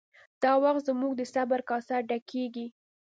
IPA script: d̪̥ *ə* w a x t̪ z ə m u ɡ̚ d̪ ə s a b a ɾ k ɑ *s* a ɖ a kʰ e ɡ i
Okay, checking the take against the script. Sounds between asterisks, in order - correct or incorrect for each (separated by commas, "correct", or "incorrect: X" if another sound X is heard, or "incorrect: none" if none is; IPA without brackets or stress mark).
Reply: incorrect: ɑ, correct